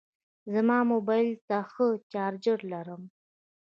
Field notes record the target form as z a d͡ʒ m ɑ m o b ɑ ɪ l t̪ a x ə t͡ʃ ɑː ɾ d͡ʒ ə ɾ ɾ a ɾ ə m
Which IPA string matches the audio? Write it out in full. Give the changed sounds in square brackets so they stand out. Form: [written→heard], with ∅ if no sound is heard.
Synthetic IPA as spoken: z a [d͡ʒ→∅] m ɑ m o b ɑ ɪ l t̪ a x ə t͡ʃ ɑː ɾ d͡ʒ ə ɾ [ɾ→l] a ɾ ə m